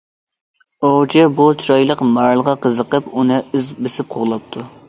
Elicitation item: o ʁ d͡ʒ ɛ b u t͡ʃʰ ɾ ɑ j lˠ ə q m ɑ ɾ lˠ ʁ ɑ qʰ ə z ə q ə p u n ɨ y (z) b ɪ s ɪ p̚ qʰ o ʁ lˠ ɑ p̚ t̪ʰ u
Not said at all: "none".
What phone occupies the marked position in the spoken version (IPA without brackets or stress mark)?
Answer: z